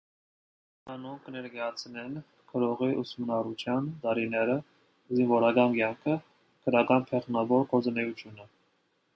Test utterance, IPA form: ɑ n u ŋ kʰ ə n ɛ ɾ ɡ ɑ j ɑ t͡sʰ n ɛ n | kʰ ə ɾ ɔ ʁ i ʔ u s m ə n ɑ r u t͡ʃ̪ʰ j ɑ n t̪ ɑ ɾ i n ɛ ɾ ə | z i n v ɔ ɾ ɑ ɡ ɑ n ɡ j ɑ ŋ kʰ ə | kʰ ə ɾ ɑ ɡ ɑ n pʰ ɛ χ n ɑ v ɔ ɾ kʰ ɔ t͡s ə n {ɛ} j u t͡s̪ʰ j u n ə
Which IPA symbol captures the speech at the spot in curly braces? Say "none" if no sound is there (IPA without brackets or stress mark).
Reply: ɛ